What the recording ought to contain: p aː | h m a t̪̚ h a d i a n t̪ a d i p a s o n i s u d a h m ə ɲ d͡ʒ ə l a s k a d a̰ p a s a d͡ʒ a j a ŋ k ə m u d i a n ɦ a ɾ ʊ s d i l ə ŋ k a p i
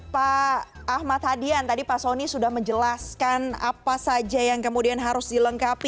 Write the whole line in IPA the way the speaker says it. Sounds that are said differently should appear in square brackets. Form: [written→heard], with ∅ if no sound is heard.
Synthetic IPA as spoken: p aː | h m a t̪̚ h a d i a n t̪ a d i p a s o n i s u d a h m ə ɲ d͡ʒ ə l a s k a [d→n] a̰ p a s a d͡ʒ a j a ŋ k ə m u d i a n ɦ a ɾ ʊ s d i l ə ŋ k a p i